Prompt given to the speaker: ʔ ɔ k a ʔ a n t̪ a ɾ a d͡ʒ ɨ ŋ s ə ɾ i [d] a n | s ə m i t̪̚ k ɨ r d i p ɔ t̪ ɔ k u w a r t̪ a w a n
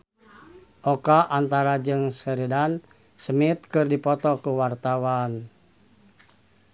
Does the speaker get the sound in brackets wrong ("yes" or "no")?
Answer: no